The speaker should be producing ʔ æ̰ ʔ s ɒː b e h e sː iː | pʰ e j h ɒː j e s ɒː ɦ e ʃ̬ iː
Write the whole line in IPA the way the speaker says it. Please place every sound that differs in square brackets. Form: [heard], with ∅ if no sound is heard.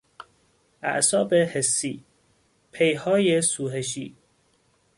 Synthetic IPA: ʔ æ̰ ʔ s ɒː b e h e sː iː | pʰ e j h ɒː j e s [uː] ɦ e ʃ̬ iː

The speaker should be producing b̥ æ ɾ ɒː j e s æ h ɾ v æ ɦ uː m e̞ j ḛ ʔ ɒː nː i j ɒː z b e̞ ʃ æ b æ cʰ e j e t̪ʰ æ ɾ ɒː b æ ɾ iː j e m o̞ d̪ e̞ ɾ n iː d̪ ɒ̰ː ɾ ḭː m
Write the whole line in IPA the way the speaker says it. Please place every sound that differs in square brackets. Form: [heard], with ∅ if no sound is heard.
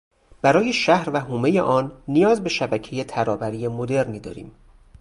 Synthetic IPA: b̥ æ ɾ ɒː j e [ʃ] æ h ɾ v æ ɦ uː m e̞ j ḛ ʔ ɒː nː i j ɒː z b e̞ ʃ æ b æ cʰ e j e t̪ʰ æ ɾ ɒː b æ ɾ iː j e m o̞ d̪ e̞ ɾ n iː d̪ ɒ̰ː ɾ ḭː m

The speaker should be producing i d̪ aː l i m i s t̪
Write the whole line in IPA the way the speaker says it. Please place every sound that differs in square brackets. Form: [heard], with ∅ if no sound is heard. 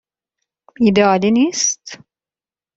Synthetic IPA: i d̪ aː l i [n] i s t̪

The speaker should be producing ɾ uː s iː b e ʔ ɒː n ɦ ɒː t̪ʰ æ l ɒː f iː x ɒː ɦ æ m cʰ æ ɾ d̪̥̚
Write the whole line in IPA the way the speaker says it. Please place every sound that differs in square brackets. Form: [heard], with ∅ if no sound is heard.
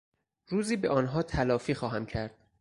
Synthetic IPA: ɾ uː [z] iː b e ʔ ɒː n ɦ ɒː t̪ʰ æ l ɒː f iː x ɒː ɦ æ m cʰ æ ɾ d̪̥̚

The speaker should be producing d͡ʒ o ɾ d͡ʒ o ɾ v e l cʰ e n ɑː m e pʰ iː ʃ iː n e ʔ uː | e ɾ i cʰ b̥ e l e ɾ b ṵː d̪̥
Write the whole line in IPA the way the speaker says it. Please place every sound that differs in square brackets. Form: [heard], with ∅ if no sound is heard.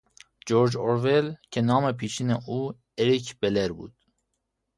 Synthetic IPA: d͡ʒ o ɾ d͡ʒ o ɾ v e l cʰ e n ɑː m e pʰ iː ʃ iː n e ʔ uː | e ɾ i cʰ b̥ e l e ɾ b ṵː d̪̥

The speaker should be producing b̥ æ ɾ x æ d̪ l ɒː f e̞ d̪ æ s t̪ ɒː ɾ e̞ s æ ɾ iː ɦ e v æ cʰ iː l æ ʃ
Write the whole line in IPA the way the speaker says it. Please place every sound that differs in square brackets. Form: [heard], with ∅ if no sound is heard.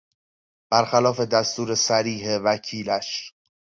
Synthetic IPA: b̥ æ ɾ x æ [∅] l ɒː f e̞ d̪ æ s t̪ [uː] ɾ e̞ s æ ɾ iː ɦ e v æ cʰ iː l æ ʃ

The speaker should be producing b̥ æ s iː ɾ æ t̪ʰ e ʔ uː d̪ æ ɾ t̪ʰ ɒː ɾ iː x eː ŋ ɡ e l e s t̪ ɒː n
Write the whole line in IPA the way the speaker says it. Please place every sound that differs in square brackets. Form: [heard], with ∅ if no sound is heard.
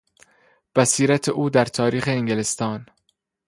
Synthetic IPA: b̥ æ s iː ɾ æ t̪ʰ e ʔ uː d̪ æ ɾ t̪ʰ ɒː ɾ iː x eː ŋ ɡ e l e s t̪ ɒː n

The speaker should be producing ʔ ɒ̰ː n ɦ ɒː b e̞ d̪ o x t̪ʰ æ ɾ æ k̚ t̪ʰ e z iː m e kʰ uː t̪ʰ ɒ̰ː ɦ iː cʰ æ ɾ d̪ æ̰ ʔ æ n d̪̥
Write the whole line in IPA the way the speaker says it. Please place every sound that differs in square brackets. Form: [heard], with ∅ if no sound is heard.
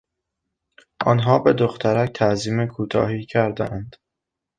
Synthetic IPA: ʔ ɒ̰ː n ɦ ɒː b e̞ d̪ o x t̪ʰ æ ɾ æ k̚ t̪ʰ [æ] z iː m e kʰ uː t̪ʰ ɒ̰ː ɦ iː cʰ æ ɾ d̪ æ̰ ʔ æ n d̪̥

